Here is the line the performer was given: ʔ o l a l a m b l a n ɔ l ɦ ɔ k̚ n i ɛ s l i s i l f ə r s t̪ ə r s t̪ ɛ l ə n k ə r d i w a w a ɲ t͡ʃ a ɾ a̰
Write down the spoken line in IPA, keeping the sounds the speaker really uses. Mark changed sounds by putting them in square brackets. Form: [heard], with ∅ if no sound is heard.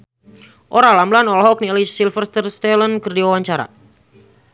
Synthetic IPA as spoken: ʔ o [ɾ] a l a m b l a n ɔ l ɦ ɔ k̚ n i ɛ [∅] l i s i l f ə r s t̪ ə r s t̪ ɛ l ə n k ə r d i w a w a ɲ t͡ʃ a ɾ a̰